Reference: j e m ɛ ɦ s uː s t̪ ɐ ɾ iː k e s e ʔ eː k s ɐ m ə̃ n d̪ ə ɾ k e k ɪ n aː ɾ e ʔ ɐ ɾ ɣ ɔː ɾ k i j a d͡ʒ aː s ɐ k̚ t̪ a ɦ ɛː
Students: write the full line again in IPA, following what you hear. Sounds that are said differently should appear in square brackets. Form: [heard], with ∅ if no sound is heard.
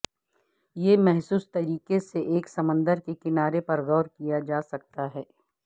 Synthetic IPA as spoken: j e m ɛ ɦ s uː s t̪ ɐ ɾ iː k e s e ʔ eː k s ɐ m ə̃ n d̪ ə ɾ k e k ɪ n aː ɾ e [p] ɐ ɾ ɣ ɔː ɾ k i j a d͡ʒ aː s ɐ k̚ t̪ a ɦ ɛː